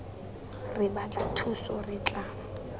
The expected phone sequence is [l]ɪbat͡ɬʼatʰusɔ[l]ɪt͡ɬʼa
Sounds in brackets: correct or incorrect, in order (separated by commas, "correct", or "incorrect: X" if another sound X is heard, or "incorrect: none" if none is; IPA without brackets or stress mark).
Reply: incorrect: r, incorrect: r